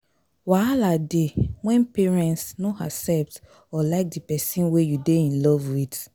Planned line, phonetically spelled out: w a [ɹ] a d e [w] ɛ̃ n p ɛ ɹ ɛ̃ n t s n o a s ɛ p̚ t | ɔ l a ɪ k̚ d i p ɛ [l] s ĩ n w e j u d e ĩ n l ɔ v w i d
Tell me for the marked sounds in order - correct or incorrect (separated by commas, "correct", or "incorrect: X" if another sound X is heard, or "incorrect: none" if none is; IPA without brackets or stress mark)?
incorrect: l, correct, incorrect: none